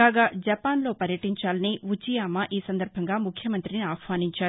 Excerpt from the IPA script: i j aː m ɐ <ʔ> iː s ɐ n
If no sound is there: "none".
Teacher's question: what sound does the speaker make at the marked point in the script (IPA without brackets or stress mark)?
ʔ